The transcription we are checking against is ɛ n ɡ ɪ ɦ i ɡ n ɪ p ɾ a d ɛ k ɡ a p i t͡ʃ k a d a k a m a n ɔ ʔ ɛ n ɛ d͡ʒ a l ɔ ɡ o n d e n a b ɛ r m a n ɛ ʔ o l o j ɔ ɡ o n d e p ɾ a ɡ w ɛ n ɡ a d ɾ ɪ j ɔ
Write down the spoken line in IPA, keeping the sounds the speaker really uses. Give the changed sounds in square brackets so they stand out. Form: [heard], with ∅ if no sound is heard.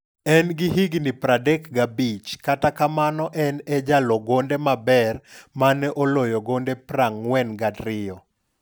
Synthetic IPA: ɛ n ɡ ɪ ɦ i ɡ n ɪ p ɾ a d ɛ k ɡ a [b] i t͡ʃ k a [t] a k a m a n ɔ ʔ ɛ n ɛ d͡ʒ a l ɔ ɡ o n d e [m] a b ɛ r m a n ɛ ʔ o l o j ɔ ɡ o n d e p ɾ a [ŋ] w ɛ n ɡ a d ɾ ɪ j ɔ

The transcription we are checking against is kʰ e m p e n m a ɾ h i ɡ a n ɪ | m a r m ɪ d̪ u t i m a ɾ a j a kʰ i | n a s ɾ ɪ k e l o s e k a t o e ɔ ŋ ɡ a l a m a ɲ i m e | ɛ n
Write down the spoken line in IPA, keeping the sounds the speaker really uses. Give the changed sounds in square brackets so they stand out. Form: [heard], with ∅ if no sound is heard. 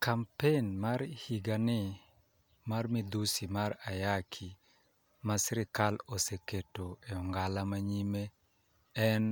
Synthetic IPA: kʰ [a] m p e n m a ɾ h i ɡ a n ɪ | m a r m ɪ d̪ u [s] i m a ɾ a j a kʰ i | [m] a s ɾ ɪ k [a] l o s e k [e] t o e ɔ ŋ ɡ a l a m a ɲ i m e | ɛ n

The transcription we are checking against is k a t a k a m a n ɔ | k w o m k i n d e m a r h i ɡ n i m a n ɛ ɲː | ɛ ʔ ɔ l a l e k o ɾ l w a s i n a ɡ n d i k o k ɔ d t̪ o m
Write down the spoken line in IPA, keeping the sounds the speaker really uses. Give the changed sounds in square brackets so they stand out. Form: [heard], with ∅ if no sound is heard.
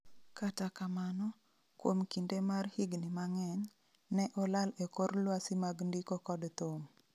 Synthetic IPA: k a t a k a m a n ɔ | k w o m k i n d e m a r h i ɡ n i m a [ŋ] ɛ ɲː | ɛ ʔ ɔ l a l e k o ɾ l w a s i [m] a ɡ n d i k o k ɔ d t̪ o m

